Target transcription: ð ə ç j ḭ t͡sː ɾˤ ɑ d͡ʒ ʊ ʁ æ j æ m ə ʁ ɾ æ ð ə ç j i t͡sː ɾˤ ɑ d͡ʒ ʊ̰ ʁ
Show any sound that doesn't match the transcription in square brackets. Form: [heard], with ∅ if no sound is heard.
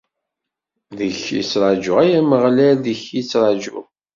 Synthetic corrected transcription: ð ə ç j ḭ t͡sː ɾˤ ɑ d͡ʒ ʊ ʁ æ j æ m ə ʁ [l] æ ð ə ç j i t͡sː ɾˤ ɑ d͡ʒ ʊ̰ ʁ